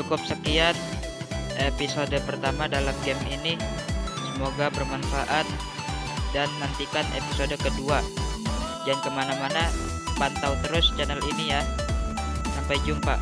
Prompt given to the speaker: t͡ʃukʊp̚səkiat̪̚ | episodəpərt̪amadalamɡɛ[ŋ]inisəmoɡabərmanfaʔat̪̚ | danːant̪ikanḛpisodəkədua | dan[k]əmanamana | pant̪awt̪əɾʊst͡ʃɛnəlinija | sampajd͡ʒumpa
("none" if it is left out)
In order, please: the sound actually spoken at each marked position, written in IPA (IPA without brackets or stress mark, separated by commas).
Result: m, k